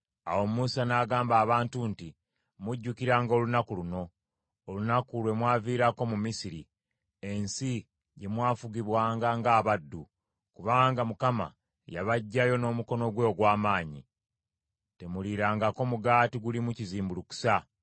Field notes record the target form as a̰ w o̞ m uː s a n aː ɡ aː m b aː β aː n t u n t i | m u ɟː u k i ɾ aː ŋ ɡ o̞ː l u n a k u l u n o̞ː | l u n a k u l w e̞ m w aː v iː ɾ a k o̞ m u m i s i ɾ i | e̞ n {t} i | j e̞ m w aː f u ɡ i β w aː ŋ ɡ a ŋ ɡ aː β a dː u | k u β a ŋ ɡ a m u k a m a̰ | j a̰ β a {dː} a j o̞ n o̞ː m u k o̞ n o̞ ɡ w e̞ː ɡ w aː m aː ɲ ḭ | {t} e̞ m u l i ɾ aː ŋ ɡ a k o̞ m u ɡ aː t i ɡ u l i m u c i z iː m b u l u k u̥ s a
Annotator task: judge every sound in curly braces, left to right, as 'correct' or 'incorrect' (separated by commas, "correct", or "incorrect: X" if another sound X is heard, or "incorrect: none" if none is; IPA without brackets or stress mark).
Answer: incorrect: s, incorrect: ɟː, correct